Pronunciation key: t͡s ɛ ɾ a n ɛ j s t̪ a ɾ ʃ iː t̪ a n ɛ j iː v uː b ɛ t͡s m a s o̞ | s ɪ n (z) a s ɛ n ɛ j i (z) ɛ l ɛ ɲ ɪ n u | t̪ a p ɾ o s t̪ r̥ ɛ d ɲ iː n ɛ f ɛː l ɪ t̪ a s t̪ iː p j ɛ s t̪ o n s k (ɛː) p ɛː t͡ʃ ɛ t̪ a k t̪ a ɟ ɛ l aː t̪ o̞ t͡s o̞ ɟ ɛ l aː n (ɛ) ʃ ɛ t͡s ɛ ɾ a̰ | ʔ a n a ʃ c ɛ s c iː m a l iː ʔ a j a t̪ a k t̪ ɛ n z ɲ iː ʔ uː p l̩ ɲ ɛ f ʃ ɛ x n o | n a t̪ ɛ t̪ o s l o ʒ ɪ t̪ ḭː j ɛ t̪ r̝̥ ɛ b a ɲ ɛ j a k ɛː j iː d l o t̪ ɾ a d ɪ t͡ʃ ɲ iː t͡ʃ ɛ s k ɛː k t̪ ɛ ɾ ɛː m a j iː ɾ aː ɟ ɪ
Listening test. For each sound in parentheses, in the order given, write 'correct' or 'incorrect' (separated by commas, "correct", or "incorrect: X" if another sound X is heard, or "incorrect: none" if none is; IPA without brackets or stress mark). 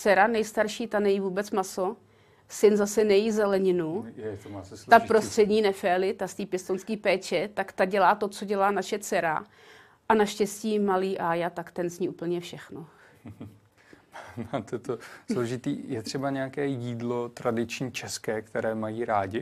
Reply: correct, correct, incorrect: iː, incorrect: a